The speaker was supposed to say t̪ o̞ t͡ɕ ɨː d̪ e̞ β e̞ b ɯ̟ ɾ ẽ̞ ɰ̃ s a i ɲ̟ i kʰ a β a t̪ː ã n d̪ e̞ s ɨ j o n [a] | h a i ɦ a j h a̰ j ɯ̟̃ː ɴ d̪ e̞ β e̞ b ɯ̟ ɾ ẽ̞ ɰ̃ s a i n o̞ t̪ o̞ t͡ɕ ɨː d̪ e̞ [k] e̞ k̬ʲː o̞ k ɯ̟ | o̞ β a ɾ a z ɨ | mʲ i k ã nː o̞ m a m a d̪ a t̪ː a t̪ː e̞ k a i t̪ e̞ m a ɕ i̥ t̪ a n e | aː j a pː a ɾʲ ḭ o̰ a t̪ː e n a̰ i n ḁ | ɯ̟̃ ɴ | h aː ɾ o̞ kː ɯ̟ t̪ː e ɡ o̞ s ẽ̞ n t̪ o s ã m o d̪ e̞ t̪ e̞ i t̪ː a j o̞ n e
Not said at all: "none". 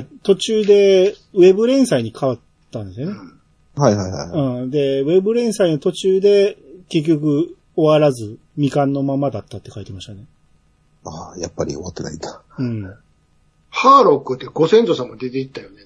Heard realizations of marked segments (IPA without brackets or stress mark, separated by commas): e, k